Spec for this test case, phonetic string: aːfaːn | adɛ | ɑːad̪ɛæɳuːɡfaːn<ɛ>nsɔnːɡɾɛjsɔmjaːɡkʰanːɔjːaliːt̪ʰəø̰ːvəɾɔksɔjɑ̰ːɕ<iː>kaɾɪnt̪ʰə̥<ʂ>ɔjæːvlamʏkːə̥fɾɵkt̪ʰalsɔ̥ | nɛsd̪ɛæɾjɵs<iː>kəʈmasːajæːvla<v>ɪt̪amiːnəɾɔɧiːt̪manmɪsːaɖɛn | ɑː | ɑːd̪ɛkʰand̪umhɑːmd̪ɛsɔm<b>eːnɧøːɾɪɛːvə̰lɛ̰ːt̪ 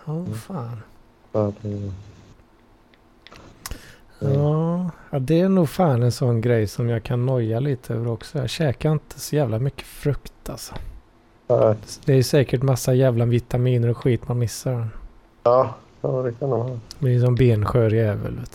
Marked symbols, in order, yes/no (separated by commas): yes, no, no, no, yes, yes